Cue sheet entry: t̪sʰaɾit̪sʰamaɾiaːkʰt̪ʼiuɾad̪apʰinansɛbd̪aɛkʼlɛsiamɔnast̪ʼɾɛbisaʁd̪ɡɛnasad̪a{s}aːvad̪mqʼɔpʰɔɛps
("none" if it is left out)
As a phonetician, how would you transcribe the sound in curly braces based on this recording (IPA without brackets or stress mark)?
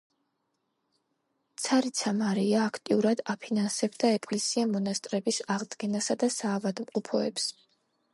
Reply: s